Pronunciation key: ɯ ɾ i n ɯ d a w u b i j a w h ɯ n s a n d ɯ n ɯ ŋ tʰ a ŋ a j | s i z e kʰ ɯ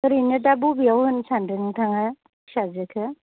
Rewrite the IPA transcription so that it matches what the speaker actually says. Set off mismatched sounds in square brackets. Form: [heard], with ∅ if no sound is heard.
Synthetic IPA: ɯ ɾ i n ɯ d a [b] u b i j a w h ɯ n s a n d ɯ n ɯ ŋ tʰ a ŋ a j | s [a] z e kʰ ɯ